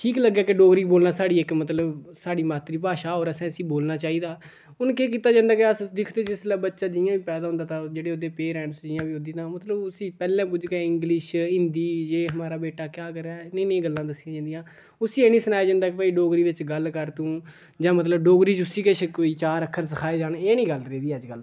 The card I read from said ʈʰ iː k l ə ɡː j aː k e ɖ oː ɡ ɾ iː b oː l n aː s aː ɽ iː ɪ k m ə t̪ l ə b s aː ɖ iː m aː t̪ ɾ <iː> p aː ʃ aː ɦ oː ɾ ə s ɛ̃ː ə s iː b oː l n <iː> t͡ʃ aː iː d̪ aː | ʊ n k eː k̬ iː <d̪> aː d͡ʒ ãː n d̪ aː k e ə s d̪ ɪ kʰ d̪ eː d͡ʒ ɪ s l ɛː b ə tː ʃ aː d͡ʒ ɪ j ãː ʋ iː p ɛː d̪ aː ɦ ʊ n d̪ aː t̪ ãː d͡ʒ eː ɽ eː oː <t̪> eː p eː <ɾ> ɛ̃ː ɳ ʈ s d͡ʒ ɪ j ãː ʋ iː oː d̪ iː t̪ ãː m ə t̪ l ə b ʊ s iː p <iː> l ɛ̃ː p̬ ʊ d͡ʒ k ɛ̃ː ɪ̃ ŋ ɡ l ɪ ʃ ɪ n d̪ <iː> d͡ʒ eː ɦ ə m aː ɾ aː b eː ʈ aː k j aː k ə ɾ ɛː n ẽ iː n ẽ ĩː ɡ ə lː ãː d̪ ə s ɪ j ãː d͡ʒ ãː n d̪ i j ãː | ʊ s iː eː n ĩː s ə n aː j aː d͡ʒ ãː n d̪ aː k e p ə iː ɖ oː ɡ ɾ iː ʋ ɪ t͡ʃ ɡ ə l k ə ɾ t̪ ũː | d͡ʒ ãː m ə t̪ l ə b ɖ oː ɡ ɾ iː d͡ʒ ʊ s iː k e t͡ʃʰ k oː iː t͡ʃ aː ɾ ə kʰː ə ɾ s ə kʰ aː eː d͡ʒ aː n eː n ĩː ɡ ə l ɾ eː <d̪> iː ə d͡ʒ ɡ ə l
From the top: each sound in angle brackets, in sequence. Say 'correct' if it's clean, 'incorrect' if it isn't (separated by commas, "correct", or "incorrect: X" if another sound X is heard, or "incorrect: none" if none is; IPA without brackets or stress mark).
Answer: correct, incorrect: aː, incorrect: t̪, incorrect: d̪, correct, incorrect: ɛː, correct, correct